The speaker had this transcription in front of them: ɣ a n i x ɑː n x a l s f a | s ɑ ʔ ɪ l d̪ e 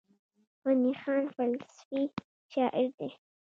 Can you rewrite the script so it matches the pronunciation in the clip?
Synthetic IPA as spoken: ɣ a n i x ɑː n f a l s f i | ʃ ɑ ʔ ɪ ɾ d̪ e